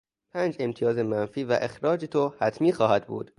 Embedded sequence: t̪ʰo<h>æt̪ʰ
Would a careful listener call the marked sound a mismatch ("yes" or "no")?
no